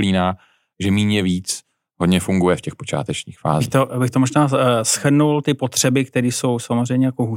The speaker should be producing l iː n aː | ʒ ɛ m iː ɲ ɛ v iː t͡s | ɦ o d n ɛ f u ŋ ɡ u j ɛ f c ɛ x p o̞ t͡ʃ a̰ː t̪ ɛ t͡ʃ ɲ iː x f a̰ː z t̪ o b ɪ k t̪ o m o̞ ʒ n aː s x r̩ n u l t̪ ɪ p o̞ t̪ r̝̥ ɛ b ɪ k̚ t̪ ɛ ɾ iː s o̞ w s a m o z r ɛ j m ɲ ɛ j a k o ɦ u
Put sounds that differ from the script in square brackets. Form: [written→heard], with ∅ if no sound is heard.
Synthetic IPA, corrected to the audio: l iː n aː | ʒ ɛ m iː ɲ ɛ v iː t͡s | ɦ o d [n→ɲ] ɛ f u ŋ ɡ u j ɛ f c ɛ x p o̞ t͡ʃ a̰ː t̪ ɛ t͡ʃ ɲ iː x f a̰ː z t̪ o b ɪ [k→x] t̪ o m o̞ ʒ n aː s x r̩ n u l t̪ ɪ p o̞ t̪ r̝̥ ɛ b ɪ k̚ t̪ ɛ ɾ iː s o̞ w s a m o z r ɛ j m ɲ ɛ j a k o ɦ u